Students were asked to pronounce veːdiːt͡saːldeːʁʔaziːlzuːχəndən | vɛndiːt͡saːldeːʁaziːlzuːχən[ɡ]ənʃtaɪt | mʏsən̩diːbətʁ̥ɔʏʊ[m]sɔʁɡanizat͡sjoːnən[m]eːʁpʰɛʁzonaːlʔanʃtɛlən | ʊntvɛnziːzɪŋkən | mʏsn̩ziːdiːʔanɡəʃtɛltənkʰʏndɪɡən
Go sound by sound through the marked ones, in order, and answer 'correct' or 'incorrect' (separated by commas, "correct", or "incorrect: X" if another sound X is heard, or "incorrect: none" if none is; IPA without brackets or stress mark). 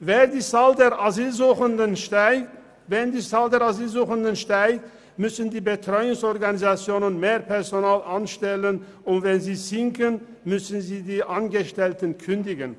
incorrect: d, incorrect: ŋ, correct